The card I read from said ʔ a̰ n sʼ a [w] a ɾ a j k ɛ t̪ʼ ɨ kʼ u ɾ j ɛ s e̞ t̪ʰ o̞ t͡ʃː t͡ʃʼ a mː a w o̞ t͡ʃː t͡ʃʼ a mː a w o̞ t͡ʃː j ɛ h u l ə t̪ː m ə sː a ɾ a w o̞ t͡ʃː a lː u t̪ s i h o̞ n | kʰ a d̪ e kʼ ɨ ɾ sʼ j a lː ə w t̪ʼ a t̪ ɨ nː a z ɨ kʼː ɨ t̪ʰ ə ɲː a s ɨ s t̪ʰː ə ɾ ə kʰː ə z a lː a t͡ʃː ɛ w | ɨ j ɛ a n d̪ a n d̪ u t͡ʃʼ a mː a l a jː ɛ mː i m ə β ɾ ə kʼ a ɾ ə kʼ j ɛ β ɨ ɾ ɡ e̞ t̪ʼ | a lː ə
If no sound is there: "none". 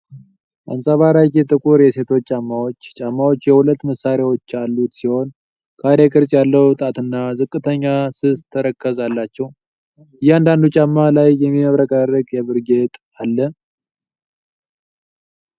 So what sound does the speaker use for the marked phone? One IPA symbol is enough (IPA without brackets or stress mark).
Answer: β